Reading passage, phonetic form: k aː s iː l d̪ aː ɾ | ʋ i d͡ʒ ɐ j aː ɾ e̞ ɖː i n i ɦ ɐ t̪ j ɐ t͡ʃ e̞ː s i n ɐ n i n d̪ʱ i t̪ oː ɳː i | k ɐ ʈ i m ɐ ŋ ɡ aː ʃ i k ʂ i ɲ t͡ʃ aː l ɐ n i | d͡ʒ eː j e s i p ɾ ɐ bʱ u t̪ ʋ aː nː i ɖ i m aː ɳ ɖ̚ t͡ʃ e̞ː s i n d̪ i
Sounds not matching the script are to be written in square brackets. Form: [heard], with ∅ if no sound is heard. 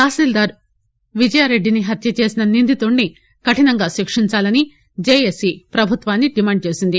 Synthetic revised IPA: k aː s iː l d̪ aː ɾ | ʋ i d͡ʒ ɐ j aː ɾ e̞ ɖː i n i ɦ ɐ t̪ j ɐ t͡ʃ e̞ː s i n ɐ n i n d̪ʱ i t̪ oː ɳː i | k ɐ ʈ i [n] ɐ ŋ ɡ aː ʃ i k ʂ i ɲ t͡ʃ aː l ɐ n i | d͡ʒ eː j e s i p ɾ ɐ bʱ u t̪ ʋ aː nː i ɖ i m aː ɳ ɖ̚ t͡ʃ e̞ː s i n d̪ i